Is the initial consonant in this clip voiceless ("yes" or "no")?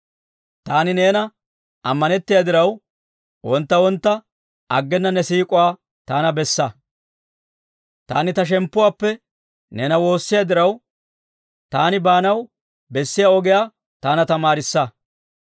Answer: yes